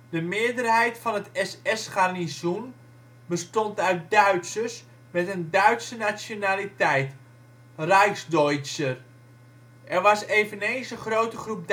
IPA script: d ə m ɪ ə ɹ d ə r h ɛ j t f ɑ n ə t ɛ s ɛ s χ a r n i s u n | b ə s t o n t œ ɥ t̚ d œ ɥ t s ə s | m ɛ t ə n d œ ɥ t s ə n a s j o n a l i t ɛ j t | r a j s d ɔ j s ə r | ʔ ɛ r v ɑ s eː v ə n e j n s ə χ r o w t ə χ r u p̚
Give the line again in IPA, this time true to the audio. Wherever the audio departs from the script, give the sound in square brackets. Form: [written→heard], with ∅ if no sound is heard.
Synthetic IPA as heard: d ə m ɪ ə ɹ d ə r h ɛ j t f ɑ n ə t ɛ s ɛ s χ a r n i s u n | b ə s t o n t œ ɥ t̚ d œ ɥ t s ə s | m ɛ t ə n d œ ɥ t s ə n a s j o n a l i t ɛ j t | r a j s d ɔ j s ə r | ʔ ɛ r [v→ʋ] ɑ s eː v ə n e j n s ə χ r o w t ə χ r u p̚